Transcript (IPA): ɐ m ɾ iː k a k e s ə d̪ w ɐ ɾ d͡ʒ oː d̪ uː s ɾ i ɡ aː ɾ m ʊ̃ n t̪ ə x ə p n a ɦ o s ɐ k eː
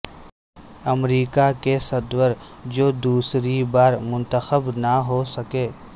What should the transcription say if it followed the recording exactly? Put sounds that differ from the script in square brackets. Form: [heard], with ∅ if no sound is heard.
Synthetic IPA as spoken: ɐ m ɾ iː k a k e s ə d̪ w [ə] ɾ d͡ʒ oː d̪ uː s ɾ i [b] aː ɾ m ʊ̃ n t̪ ə x ə [b] n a ɦ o s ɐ k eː